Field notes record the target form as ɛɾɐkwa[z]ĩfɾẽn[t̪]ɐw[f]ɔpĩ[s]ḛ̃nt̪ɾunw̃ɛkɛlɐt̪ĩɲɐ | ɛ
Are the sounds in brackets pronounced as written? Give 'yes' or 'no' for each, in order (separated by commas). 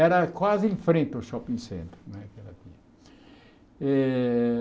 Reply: yes, yes, no, yes